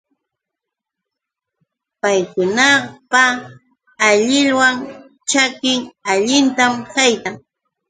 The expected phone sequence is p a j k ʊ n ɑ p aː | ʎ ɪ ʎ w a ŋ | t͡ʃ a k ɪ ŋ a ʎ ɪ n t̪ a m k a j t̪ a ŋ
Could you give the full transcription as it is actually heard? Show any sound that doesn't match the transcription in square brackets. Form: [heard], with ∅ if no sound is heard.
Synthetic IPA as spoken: p a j k ʊ n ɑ p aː | ʎ ɪ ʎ w a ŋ | t͡ʃ a k ɪ ŋ a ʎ ɪ n t̪ a m k a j t̪ a ŋ